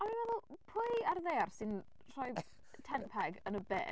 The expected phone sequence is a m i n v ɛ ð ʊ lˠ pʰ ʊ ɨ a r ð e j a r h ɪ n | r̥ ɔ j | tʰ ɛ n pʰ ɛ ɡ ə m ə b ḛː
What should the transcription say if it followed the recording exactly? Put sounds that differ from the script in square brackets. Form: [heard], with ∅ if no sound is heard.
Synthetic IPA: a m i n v ɛ ð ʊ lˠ pʰ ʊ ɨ a r ð e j a r [s] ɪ n | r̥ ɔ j | tʰ ɛ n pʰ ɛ ɡ ə [n] ə b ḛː